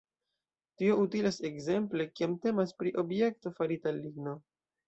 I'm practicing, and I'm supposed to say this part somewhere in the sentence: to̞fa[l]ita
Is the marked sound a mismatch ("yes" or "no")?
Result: yes